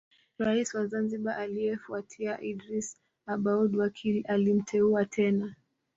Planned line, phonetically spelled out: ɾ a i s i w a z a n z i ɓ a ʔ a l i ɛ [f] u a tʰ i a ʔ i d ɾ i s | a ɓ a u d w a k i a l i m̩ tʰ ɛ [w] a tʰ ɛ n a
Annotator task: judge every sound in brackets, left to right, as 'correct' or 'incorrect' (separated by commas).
correct, incorrect